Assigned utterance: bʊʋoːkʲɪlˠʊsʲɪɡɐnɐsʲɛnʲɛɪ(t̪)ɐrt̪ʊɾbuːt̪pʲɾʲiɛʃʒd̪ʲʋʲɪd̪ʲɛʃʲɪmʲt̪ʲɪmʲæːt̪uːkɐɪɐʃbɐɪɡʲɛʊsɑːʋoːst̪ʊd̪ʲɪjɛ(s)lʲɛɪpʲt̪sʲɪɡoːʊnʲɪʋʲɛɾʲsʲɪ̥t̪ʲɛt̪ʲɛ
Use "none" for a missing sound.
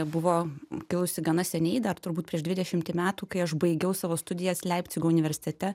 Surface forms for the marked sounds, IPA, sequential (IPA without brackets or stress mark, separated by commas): d̪, s